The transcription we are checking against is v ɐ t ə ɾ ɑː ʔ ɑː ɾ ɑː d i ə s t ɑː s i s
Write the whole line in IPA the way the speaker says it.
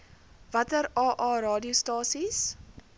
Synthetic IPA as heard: v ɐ t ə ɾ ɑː ʔ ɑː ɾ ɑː d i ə s t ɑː s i s